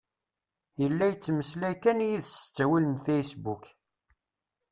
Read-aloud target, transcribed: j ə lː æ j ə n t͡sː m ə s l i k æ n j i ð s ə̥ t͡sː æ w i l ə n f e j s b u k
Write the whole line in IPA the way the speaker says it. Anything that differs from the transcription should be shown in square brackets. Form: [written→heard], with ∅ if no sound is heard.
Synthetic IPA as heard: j ə lː æ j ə [n→∅] t͡sː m ə s l [i→æ] k æ n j i ð s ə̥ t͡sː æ w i l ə n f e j s b u k